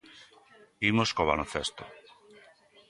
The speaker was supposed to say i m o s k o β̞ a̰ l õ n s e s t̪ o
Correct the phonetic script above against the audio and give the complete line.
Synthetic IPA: i m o s k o β̞ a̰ l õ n θ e s t̪ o